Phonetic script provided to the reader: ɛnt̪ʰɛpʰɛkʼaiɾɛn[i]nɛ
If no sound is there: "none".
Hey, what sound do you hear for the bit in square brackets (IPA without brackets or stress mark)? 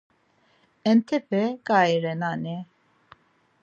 a